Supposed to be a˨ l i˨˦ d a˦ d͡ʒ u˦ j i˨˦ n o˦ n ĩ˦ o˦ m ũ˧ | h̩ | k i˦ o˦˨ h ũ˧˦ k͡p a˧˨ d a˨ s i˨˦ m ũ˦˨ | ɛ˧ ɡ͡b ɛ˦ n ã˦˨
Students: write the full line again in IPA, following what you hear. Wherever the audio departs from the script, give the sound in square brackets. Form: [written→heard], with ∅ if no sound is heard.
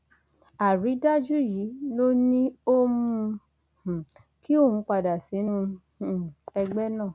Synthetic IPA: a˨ [l→ɾ] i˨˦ d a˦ d͡ʒ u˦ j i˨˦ n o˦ n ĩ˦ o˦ m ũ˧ | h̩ | k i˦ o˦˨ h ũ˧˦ k͡p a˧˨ d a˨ s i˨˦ [m→n] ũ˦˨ | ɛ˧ ɡ͡b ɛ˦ n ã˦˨